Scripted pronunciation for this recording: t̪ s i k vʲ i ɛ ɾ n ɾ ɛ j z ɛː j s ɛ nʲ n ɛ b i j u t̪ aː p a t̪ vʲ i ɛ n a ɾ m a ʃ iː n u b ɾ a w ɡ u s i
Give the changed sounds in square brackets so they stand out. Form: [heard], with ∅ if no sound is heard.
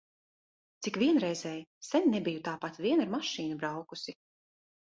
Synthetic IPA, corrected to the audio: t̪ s i k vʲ i ɛ [∅] n ɾ ɛ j z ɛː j s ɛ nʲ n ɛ b i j u t̪ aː p a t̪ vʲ i ɛ n a ɾ m a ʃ iː n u b ɾ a w [k] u s i